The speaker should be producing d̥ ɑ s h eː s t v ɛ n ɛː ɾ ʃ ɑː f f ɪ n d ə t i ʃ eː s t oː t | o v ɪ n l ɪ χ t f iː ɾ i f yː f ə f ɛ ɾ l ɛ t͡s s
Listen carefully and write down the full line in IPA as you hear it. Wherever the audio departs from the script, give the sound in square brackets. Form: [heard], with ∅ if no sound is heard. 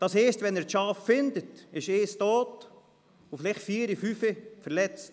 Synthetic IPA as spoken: d̥ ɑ s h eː s t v ɛ n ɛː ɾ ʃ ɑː f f ɪ n d ə t [ɪ] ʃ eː s t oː t | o [f] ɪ [∅] l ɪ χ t f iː ɾ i f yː f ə f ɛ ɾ l ɛ t͡s [t]

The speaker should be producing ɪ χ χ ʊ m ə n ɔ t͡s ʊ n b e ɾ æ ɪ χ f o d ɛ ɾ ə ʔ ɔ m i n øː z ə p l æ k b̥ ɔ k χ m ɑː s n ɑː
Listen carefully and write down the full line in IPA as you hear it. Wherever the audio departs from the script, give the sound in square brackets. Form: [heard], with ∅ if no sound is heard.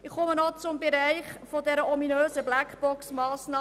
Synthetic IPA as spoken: ɪ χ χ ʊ m ə n ɔ t͡s ʊ [m] b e ɾ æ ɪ χ f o d ɛ ɾ ə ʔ ɔ m i n øː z ə [b] l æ k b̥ ɔ k [s] m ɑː s n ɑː

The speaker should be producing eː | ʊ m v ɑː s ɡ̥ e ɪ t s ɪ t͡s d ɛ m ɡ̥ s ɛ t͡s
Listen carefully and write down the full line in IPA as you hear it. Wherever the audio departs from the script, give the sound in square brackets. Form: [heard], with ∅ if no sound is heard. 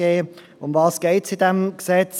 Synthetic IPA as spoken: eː | ʊ m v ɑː s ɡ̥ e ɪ t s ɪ [∅] d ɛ m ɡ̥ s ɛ t͡s

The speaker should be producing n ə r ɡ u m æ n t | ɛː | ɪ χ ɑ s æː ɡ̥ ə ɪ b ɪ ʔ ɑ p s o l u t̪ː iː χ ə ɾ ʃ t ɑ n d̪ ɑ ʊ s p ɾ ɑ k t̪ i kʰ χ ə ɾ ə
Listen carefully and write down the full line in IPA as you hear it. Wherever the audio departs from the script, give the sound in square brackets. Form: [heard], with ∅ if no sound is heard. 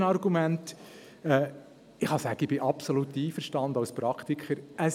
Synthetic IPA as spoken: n [ɑ] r ɡ u m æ n t | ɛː | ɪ χ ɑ s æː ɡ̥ ə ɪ b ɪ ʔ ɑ p s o l u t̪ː iː [f] ə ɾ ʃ t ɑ n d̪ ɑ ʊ s p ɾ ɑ k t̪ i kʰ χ ə ɾ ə

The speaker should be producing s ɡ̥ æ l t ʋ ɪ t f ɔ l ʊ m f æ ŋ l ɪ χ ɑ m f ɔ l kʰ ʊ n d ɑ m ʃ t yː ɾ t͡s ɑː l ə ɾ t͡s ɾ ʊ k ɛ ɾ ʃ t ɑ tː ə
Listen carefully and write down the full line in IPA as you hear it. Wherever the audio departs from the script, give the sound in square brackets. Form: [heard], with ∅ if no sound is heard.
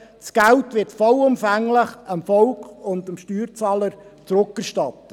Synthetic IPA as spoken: s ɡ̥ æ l t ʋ ɪ t f ɔ l ʊ m f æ ŋ l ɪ χ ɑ m f ɔ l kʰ ʊ n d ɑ m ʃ t yː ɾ t͡s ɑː l ə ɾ t͡s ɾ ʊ k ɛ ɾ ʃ t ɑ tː ə

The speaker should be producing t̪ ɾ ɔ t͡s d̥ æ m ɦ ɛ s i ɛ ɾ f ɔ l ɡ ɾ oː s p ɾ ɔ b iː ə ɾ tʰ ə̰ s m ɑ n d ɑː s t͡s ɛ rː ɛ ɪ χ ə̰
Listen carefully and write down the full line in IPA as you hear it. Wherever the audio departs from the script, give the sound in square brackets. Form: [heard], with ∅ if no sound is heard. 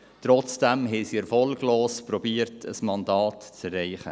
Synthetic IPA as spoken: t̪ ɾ ɔ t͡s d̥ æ m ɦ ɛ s i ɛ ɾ f ɔ l ɡ [l] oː s p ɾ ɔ b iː ə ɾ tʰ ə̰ s m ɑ n d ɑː [t] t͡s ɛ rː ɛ ɪ χ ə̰

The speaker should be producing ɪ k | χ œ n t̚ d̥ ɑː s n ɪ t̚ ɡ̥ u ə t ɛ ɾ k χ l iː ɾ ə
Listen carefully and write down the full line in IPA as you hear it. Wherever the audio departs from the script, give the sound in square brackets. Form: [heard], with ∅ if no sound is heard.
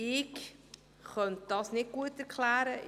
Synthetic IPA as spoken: ɪ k | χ œ n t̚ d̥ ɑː s n ɪ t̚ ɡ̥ u ə t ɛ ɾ k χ l [æː] ɾ ə

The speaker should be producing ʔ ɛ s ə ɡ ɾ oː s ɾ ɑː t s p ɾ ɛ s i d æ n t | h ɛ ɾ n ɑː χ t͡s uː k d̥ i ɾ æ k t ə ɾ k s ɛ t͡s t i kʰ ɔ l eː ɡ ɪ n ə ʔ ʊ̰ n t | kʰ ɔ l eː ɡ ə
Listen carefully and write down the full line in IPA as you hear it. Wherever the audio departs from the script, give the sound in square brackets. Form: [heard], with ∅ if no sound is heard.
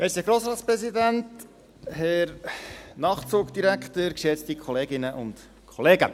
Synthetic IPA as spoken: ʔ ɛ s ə ɡ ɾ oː s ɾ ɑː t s p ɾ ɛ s i d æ n t | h ɛ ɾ n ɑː χ t͡s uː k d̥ i ɾ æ k t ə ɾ k [ʃ] ɛ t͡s t i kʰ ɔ l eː ɡ ɪ n ə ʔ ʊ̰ n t | kʰ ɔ l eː ɡ ə

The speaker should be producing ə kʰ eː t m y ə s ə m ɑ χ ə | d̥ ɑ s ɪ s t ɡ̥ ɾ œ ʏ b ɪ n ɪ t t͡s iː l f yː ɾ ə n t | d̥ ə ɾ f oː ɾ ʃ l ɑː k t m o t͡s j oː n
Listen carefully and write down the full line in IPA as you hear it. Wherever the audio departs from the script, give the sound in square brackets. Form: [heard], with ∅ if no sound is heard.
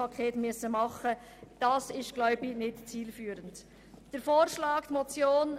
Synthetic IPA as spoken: [ɑ] kʰ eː t m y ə s ə m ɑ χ ə | d̥ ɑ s ɪ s t ɡ̥ [l] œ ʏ b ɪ n ɪ t t͡s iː l f yː ɾ ə n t | d̥ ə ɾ f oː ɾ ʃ l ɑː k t m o t͡s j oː n

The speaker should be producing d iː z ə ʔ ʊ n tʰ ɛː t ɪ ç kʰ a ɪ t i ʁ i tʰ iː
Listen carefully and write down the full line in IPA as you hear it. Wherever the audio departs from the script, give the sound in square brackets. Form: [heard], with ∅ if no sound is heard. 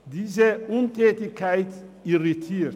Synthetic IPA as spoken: d iː z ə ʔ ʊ n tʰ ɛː t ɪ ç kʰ a ɪ t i ʁ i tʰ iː

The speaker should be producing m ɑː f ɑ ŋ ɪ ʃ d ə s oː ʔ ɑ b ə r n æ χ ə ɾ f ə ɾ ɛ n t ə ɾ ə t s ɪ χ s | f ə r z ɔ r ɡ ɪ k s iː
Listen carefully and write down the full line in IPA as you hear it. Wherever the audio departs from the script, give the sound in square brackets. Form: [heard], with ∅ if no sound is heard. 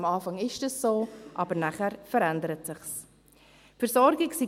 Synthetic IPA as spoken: m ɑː f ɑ ŋ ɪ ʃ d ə s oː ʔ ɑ b ə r n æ χ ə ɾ f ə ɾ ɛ n [d] ə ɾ ə t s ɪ χ s | f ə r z ɔ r ɡ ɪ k s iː

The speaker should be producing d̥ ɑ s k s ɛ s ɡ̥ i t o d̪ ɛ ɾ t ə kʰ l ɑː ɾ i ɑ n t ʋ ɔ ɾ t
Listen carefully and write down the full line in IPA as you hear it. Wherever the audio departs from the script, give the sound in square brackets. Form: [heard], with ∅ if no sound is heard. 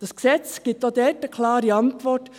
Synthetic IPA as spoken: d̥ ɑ s k s ɛ [t͡s] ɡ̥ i t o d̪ ɛ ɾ t ə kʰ l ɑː ɾ i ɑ n t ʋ ɔ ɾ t

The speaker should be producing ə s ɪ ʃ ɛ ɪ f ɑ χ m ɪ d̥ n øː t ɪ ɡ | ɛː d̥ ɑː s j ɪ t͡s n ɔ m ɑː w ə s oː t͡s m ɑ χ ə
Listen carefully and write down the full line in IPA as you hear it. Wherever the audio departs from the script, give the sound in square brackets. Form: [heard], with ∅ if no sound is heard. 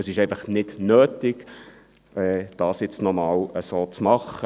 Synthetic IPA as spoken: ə s ɪ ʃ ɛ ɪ f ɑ χ [n] ɪ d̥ n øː t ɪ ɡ | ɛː d̥ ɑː s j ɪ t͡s n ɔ m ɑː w ə s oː t͡s m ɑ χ ə

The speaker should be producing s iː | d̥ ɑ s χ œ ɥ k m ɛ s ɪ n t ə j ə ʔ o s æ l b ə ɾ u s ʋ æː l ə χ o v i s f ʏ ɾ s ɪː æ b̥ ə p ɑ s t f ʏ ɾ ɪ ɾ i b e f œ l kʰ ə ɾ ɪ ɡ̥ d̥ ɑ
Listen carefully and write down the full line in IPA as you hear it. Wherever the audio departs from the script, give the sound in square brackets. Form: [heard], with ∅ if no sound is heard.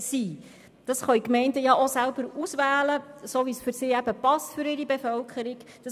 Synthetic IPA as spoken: s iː | d̥ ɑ s χ œ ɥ k m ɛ [∅] ɪ n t ə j [ɑ] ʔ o s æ l b ə ɾ u s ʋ æː l ə [s] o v i s f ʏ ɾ s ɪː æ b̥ ə p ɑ s t f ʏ ɾ ɪ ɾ i b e f œ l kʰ ə ɾ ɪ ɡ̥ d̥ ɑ

